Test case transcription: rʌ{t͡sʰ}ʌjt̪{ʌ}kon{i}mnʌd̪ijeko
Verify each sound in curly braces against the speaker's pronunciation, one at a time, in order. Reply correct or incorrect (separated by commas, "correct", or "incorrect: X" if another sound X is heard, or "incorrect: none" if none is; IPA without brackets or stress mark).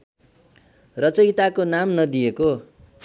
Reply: incorrect: t͡s, incorrect: a, incorrect: a